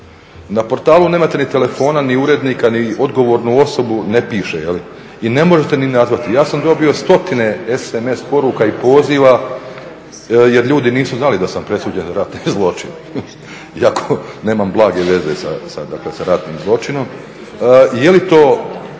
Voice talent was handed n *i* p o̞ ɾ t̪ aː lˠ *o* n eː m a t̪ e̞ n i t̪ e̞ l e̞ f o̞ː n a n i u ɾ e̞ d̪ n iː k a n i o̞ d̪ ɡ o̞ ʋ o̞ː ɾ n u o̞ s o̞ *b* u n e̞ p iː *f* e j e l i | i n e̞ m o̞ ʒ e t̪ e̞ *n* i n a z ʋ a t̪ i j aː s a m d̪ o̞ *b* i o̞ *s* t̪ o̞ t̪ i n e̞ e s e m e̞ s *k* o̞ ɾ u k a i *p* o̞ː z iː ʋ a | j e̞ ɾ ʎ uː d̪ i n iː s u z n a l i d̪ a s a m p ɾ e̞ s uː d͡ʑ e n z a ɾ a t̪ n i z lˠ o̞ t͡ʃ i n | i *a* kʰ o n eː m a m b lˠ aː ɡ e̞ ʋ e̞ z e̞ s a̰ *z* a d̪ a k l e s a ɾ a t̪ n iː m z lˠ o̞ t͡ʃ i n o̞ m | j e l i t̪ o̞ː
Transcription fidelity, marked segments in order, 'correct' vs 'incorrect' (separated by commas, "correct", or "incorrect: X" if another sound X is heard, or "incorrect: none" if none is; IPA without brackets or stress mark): incorrect: a, incorrect: u, correct, incorrect: ʃ, correct, correct, correct, incorrect: p, correct, correct, incorrect: s